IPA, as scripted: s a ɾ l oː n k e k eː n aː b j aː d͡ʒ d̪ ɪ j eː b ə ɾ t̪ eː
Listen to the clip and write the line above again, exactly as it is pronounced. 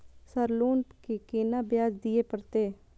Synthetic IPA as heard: s ə ɾ l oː n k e k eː n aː b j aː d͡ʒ d̪ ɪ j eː p ə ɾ t̪ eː